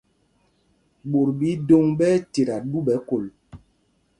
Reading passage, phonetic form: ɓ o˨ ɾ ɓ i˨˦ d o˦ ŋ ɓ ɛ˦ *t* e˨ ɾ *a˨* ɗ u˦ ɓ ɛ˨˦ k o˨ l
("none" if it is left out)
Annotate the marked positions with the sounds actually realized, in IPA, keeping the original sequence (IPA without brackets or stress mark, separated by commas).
t, a˨